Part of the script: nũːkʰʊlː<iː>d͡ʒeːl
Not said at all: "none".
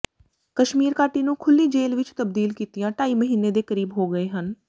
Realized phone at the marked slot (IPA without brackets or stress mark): iː